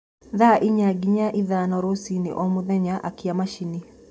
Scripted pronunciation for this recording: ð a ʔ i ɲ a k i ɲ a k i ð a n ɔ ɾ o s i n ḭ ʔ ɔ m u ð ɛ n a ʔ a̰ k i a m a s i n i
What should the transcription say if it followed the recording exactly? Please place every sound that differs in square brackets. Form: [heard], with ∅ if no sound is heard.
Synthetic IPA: ð a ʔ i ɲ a [ɡ] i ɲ a [ʔ] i ð a n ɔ ɾ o s i n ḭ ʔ ɔ m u ð ɛ [ɲ] a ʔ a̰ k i a m a [ʃ] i n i